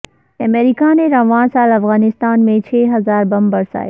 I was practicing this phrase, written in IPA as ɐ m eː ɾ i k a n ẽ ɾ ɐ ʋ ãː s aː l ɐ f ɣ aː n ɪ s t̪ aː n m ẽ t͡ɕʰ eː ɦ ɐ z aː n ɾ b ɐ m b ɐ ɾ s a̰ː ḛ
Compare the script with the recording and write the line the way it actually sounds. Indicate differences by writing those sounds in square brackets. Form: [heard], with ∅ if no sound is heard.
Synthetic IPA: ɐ m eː ɾ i k a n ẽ ɾ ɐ ʋ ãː s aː l ɐ f ɣ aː n ɪ s t̪ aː n m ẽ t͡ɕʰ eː ɦ ɐ z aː [∅] ɾ b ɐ m b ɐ ɾ s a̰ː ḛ